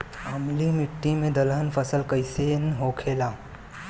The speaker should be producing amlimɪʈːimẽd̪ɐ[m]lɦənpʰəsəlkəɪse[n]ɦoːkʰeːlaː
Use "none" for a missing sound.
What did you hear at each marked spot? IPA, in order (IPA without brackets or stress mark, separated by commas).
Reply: none, n